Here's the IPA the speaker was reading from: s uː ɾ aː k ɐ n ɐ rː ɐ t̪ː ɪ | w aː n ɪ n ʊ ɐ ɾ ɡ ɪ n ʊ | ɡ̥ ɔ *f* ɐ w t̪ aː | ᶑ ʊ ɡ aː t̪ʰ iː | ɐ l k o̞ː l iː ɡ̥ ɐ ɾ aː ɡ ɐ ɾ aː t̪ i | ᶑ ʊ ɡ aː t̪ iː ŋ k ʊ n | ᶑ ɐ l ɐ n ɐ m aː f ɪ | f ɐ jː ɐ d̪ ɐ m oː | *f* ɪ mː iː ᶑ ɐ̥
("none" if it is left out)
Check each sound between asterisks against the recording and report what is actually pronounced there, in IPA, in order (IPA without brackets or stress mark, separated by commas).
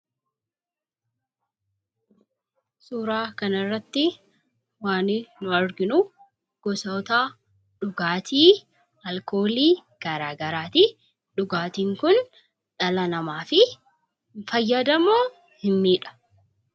s, h